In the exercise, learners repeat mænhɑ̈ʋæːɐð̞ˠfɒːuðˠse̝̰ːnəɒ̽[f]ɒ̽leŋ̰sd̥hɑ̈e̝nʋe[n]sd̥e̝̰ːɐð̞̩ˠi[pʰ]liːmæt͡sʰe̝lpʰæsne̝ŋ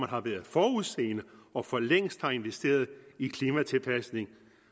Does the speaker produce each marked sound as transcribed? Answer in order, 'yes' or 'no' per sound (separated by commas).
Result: yes, no, no